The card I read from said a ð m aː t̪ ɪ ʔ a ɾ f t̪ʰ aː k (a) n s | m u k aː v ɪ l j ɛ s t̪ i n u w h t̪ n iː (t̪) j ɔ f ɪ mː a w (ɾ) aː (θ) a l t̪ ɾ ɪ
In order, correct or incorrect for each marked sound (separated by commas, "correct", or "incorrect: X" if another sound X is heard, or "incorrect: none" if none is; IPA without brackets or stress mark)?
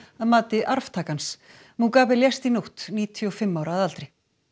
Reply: correct, incorrect: t̪ʰ, correct, incorrect: ð